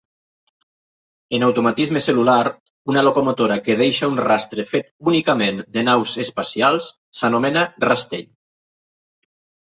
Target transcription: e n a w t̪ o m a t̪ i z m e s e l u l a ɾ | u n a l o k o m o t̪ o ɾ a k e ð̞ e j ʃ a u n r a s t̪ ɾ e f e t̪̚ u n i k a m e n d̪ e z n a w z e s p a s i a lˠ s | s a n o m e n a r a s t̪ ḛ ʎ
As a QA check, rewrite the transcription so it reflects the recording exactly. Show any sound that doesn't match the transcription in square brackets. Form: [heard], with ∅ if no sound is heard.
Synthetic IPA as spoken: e n a w t̪ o m a t̪ i z m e s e l u l a ɾ | u n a l o k o m o t̪ o ɾ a k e ð̞ e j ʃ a u n r a s t̪ ɾ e f e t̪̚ u n i k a m e n d̪ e [∅] n a w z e s p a s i a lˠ s | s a n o m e n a r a s t̪ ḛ ʎ